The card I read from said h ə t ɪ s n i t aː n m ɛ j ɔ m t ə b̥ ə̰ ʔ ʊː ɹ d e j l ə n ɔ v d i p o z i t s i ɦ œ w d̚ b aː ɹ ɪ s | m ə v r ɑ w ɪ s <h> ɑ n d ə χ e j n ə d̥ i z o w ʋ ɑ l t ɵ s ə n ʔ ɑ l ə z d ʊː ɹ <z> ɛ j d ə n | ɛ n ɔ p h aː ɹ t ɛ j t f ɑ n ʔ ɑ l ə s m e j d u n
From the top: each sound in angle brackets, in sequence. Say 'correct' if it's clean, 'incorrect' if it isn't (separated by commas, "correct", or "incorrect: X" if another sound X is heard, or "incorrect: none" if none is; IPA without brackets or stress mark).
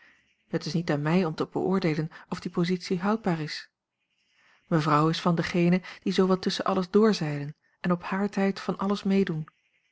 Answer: incorrect: f, correct